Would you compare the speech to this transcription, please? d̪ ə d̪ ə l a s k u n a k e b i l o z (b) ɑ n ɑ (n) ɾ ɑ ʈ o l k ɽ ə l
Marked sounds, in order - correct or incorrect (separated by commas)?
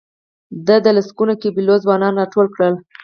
incorrect, correct